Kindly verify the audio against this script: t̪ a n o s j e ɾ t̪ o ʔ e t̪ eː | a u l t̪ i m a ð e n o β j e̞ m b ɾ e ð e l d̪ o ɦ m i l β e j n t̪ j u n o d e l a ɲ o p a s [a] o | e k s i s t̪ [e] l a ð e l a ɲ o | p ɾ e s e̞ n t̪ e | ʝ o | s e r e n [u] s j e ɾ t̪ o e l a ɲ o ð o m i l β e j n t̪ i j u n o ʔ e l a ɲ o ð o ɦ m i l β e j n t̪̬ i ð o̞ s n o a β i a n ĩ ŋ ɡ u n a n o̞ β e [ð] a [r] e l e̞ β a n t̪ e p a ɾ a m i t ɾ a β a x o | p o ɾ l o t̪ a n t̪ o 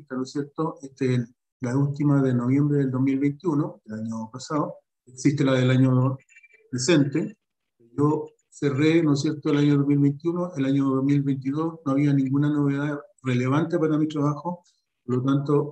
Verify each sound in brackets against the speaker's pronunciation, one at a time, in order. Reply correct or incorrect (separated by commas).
correct, correct, incorrect, correct, correct